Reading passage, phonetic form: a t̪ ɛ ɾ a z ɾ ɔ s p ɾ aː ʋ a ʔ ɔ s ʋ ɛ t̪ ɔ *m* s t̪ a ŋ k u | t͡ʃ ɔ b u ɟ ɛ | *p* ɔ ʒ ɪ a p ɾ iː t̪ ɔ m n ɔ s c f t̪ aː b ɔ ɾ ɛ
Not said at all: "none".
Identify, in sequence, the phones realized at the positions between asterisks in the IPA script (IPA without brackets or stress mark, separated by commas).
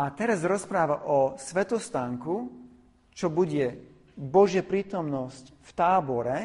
none, b